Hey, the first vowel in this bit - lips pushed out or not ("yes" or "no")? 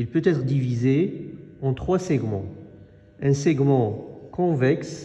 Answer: no